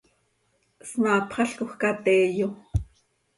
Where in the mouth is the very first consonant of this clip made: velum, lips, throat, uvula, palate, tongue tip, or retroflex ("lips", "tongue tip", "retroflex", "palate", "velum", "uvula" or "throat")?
tongue tip